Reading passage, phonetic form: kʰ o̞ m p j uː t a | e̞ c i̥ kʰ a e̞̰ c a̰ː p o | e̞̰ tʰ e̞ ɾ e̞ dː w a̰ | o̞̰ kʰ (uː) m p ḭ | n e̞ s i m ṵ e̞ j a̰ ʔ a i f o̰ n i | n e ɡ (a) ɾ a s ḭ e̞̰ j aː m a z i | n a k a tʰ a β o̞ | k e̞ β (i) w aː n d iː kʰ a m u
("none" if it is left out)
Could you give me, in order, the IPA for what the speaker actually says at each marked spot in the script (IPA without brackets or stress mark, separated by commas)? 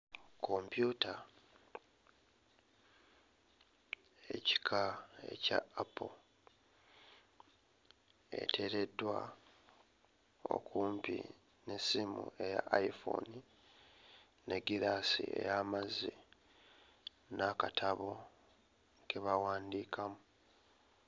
uː, i, a